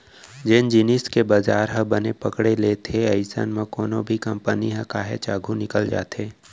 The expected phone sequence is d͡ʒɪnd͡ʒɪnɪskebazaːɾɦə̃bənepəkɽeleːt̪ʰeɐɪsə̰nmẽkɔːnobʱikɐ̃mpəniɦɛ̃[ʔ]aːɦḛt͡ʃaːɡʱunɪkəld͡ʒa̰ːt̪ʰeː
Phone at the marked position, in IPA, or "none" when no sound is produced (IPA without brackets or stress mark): k